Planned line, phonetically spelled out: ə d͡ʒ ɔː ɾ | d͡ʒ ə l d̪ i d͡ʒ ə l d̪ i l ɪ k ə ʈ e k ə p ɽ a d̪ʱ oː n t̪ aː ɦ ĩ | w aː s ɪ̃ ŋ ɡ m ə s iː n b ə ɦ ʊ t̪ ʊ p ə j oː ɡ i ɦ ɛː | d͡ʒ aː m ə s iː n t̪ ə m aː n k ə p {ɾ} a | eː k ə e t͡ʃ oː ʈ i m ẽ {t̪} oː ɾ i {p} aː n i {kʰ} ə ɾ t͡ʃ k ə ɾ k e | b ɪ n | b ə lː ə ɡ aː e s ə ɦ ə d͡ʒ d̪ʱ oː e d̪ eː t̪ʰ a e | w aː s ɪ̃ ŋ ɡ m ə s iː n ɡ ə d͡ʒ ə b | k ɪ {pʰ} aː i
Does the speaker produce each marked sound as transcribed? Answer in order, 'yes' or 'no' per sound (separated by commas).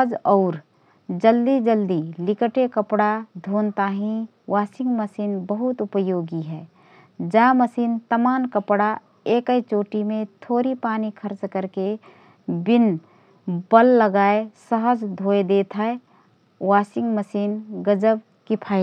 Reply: no, no, yes, yes, yes